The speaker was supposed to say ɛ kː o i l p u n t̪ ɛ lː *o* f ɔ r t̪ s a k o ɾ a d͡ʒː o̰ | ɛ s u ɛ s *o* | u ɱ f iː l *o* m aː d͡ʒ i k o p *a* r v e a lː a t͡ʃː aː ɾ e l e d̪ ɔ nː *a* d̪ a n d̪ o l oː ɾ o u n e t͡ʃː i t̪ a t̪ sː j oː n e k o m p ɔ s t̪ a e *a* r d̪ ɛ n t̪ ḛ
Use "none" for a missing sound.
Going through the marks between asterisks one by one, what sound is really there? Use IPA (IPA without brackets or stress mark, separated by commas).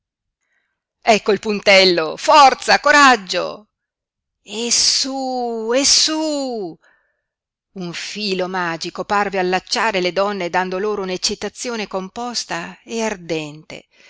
o, u, o, a, e, a